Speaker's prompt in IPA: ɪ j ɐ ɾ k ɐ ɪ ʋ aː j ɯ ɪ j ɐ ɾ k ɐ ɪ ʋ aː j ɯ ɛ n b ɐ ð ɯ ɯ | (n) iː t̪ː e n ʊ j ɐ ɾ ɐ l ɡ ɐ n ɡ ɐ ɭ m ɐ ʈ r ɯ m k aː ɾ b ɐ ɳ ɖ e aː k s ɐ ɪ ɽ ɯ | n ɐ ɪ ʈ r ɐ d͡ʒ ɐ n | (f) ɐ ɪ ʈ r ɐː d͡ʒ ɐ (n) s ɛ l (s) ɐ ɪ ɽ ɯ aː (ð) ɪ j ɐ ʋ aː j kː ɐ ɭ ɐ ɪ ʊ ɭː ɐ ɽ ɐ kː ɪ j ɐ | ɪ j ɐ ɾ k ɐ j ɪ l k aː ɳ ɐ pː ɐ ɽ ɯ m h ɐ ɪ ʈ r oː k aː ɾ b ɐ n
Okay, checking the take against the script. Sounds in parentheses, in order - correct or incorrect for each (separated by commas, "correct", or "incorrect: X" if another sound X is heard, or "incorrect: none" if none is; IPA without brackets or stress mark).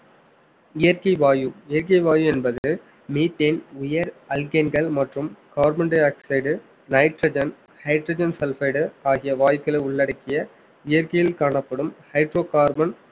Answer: incorrect: m, incorrect: h, correct, incorrect: f, incorrect: ɣ